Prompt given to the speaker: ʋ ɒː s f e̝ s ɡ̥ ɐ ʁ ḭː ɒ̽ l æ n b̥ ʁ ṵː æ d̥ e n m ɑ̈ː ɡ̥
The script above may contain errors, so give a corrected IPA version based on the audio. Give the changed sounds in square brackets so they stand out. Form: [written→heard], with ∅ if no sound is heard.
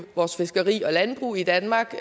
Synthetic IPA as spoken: ʋ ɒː s f e̝ s ɡ̥ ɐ ʁ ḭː ɒ̽ l æ n b̥ ʁ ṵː [æ→i] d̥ [e→æ] n m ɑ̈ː ɡ̥